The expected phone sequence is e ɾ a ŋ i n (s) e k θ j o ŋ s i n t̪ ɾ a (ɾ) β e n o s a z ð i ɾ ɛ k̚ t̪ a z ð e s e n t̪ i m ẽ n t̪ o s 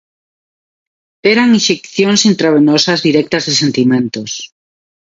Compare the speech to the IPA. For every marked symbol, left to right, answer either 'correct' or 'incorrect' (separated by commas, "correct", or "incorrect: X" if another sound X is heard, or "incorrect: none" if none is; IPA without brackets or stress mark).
incorrect: ʃ, incorrect: none